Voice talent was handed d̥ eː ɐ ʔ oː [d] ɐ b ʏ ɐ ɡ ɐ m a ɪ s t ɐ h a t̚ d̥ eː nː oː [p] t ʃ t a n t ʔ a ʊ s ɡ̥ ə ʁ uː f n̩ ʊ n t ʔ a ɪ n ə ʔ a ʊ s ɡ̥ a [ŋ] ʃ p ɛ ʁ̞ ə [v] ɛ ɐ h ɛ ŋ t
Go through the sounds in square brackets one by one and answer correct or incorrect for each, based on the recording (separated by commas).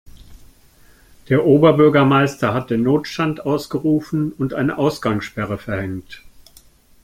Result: incorrect, incorrect, correct, incorrect